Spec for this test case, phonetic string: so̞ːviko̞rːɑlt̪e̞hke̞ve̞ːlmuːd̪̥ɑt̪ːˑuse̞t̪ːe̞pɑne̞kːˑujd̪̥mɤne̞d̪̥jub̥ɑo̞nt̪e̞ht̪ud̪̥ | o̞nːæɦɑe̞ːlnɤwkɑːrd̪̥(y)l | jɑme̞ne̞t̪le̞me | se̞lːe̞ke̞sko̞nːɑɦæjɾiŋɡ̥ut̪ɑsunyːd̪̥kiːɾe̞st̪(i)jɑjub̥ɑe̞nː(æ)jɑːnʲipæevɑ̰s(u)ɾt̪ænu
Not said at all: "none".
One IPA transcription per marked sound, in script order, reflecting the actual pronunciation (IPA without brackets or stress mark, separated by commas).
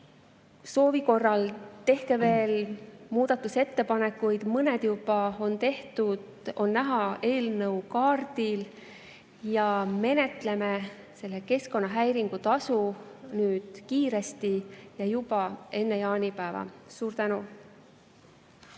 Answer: i, i, e, uː